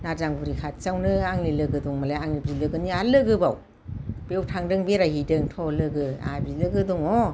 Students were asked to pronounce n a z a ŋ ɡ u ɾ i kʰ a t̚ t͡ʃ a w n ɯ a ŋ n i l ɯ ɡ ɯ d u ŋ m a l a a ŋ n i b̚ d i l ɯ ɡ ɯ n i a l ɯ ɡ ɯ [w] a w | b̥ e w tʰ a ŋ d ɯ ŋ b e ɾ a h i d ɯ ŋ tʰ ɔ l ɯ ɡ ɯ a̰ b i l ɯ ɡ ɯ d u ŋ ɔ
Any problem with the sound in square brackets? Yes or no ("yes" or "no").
yes